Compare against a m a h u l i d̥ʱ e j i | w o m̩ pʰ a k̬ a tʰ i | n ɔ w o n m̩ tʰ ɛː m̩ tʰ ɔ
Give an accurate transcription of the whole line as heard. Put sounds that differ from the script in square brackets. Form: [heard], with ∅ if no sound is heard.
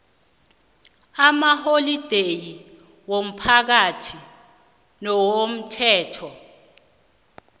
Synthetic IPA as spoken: a m a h [o] l i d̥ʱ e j i | w o m̩ pʰ a k̬ a tʰ i | n ɔ w o [∅] m̩ tʰ ɛː [∅] tʰ ɔ